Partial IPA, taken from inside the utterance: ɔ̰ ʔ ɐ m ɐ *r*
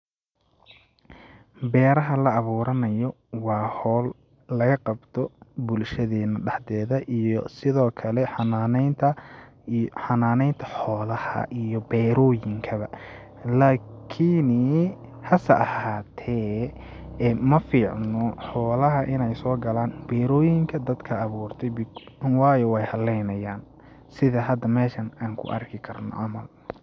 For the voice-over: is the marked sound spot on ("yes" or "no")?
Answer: no